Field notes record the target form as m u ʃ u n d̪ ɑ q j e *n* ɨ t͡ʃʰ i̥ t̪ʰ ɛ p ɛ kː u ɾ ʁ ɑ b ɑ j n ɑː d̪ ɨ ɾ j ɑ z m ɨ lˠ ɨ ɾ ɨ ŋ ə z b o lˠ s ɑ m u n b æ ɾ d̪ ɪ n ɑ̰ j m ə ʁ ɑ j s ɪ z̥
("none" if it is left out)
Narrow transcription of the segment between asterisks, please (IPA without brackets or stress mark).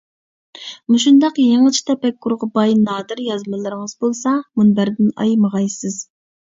ŋ